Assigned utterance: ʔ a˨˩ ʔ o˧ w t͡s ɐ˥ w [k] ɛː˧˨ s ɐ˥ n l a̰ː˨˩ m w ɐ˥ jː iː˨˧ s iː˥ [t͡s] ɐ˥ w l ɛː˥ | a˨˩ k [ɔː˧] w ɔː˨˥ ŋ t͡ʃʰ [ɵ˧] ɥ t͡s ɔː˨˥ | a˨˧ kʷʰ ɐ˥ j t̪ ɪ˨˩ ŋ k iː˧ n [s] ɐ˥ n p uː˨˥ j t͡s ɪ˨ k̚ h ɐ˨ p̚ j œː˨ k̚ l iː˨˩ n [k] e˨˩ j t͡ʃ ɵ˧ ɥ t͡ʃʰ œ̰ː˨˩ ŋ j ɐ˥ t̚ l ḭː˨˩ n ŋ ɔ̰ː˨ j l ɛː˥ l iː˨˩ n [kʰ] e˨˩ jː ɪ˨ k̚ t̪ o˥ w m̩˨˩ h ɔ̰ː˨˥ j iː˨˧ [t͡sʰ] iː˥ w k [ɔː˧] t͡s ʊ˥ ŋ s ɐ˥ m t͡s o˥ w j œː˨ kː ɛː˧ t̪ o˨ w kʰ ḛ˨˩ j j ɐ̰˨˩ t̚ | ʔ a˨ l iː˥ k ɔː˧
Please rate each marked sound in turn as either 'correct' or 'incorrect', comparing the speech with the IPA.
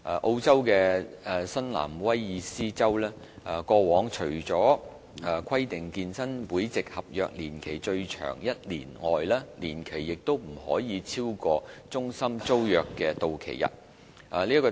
correct, correct, correct, incorrect: ɵ˨˩, correct, incorrect: kʰ, correct, correct, correct

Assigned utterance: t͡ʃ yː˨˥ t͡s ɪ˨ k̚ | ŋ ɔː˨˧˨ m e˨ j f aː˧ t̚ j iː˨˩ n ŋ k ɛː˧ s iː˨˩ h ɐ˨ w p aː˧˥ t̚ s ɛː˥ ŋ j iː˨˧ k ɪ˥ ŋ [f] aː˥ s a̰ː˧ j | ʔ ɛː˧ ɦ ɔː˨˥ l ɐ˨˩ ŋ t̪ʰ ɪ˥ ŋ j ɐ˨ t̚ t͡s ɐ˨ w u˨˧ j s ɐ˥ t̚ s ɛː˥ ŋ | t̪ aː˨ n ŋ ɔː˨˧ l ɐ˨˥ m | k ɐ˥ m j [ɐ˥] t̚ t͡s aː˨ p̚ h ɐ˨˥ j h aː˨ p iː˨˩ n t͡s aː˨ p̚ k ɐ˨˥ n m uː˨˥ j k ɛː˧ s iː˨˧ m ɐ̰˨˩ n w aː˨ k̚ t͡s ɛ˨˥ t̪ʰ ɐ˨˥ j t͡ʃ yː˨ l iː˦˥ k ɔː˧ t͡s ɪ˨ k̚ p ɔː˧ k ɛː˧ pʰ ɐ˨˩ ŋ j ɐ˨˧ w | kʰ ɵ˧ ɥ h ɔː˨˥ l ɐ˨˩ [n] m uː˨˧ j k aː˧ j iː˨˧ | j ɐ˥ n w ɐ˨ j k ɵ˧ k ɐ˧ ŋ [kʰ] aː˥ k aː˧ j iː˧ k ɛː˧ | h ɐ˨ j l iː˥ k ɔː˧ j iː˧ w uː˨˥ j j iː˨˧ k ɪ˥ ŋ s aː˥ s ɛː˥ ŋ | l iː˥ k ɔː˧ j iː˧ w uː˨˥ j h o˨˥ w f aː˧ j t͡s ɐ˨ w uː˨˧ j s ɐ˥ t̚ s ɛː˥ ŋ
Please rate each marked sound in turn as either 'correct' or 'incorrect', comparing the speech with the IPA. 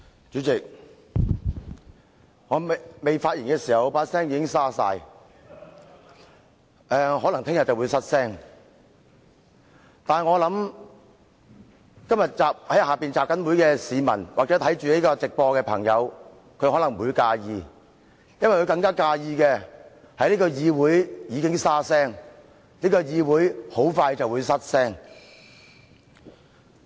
incorrect: s, incorrect: ɐ˨, incorrect: ŋ, incorrect: k

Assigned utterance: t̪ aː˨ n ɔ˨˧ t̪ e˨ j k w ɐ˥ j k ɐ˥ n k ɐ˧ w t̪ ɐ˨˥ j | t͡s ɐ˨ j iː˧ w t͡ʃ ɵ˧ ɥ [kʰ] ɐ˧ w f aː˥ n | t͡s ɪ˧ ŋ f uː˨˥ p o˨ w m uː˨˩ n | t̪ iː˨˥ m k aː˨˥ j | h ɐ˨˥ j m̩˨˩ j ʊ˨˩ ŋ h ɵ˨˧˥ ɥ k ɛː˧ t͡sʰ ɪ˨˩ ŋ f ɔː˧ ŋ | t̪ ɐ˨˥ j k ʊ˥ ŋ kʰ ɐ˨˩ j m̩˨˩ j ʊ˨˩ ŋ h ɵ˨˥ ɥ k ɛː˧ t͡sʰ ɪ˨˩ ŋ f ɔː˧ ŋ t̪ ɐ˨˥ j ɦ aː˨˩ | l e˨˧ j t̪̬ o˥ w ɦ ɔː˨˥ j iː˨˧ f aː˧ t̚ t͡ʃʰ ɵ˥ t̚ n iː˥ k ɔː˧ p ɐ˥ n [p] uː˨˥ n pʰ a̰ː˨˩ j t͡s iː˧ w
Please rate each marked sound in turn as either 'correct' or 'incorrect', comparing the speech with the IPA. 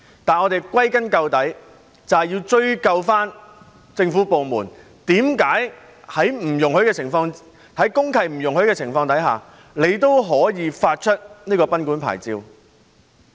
incorrect: k, incorrect: k

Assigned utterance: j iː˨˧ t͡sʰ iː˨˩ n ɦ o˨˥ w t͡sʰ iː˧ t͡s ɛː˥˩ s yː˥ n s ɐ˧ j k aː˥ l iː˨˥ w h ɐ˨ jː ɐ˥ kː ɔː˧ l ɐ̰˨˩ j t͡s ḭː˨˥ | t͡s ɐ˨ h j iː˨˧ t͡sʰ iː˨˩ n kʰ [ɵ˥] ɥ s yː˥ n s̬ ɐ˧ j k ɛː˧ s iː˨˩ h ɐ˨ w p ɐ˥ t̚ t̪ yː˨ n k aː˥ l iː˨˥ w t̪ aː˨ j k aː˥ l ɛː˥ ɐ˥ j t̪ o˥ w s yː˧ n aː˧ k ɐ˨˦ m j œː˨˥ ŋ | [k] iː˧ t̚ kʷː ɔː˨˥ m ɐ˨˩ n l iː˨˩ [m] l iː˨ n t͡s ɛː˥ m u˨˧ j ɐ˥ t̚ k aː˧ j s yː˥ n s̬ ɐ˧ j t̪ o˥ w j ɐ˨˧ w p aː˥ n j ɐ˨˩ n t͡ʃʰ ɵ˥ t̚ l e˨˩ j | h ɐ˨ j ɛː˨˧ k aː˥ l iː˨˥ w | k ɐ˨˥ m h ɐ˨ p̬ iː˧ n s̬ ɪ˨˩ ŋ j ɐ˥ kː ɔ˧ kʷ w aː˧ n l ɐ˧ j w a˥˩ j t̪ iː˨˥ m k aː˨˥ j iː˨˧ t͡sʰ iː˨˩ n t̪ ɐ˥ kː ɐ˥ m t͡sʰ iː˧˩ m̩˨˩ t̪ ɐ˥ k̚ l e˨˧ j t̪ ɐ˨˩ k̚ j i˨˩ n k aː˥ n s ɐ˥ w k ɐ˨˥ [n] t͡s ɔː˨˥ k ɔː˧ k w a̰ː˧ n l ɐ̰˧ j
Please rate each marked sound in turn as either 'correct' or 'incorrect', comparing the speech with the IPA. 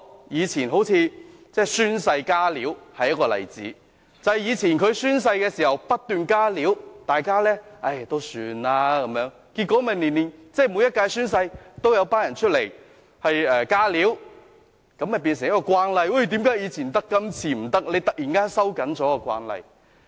incorrect: ɵ˨˧, correct, incorrect: n, correct

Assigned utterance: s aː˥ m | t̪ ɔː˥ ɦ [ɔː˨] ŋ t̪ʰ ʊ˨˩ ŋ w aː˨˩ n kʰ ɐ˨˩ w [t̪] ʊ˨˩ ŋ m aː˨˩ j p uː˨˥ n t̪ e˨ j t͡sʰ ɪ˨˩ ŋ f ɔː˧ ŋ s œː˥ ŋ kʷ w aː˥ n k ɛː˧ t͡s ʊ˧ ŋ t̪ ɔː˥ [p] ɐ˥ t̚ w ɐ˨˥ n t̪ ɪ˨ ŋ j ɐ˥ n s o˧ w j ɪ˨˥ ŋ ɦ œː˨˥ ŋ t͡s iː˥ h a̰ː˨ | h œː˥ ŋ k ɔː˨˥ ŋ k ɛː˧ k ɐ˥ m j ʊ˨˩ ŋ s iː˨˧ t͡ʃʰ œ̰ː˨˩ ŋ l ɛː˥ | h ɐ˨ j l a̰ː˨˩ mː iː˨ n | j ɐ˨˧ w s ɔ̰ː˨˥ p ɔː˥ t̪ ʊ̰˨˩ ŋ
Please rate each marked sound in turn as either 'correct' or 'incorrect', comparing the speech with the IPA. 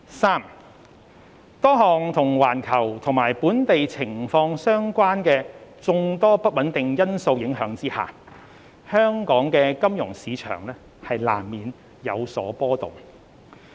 correct, incorrect: t̪ʰ, correct

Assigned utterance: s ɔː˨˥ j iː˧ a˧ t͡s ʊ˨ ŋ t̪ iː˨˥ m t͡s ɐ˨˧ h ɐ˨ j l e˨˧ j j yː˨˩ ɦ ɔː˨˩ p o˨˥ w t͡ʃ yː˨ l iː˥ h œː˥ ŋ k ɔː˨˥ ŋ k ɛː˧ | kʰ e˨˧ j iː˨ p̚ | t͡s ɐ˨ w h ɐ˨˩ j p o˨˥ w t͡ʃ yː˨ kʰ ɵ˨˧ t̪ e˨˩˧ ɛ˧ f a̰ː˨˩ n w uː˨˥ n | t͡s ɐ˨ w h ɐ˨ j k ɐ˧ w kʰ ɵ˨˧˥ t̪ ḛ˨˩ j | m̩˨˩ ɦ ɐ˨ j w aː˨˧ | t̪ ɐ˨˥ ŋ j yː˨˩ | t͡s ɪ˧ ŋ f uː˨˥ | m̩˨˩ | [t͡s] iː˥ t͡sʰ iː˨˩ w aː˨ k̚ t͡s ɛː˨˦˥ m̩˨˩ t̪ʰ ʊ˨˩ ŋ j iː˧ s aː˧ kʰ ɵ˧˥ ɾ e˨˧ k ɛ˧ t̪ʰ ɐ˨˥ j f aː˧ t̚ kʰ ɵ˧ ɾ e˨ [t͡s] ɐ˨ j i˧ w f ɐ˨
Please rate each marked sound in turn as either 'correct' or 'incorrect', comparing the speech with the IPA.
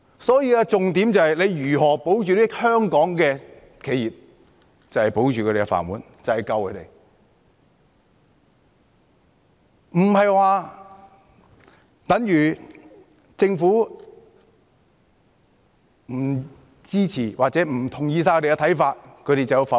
correct, correct

